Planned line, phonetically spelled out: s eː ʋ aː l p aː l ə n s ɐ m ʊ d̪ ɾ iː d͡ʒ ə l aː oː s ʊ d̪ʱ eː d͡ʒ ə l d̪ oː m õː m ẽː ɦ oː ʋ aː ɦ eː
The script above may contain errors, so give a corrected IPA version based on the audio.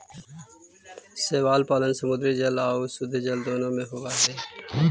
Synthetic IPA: s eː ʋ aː l p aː l ə n s ə m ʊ d̪ ɾ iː d͡ʒ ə l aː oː s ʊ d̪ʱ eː d͡ʒ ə l d̪ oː n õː m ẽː ɦ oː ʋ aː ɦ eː